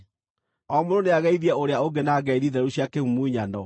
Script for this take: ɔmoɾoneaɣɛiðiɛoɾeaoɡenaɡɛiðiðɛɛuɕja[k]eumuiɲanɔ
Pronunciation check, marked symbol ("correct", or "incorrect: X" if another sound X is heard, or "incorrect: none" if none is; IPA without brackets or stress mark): correct